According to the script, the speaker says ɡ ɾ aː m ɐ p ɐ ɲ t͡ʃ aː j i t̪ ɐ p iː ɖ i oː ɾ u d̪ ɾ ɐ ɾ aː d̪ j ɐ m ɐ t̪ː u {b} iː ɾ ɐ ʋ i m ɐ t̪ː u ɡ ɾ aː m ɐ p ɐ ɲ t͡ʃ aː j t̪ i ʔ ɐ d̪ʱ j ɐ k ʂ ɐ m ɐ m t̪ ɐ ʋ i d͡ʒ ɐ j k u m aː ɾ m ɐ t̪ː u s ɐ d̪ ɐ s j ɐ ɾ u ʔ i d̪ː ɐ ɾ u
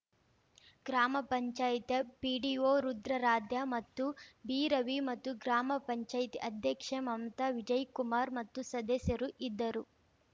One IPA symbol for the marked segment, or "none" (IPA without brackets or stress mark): b